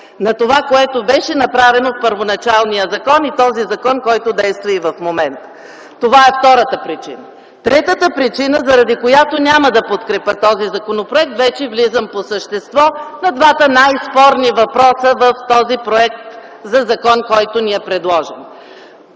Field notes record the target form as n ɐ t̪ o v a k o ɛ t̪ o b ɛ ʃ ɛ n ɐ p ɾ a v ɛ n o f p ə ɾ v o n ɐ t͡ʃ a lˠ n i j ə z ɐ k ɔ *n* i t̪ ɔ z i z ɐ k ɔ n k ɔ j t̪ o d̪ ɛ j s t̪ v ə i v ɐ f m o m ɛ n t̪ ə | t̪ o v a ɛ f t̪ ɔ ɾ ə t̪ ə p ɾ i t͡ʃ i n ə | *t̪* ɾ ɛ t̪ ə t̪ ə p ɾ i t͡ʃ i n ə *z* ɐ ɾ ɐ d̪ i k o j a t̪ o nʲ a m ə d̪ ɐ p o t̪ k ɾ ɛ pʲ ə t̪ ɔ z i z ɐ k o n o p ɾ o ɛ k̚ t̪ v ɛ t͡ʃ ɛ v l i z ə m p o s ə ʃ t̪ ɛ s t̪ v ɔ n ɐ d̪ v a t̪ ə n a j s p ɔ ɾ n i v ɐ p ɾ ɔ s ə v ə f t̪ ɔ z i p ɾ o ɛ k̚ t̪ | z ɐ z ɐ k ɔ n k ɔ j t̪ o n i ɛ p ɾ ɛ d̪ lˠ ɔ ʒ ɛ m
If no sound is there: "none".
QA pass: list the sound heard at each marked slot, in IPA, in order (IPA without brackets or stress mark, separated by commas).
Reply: n, t̪, z